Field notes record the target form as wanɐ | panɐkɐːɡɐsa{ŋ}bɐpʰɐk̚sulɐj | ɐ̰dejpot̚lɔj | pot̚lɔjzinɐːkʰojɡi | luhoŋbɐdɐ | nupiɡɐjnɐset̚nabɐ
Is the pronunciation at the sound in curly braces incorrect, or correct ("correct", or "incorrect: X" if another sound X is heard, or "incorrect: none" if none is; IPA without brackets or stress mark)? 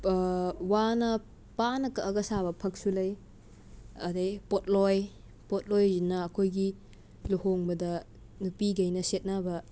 incorrect: none